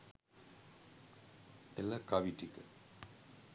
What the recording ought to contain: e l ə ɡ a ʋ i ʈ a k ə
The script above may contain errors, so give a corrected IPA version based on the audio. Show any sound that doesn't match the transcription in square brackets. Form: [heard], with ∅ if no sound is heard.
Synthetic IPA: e l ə [k] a ʋ i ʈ [i] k ə